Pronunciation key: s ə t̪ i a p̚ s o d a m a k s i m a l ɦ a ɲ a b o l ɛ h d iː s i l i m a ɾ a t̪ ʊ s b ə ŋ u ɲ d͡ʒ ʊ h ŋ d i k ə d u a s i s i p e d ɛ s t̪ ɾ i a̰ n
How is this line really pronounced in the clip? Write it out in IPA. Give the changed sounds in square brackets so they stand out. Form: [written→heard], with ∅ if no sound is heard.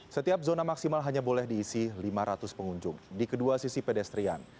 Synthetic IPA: s ə t̪ i a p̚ [s→z] o [d→n] a m a k s i m a l ɦ a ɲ a b o l ɛ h d iː s i l i m a ɾ a t̪ ʊ s [b→p] ə ŋ u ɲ d͡ʒ ʊ [h→∅] ŋ d i k ə d u a s i s i p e d ɛ s t̪ ɾ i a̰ n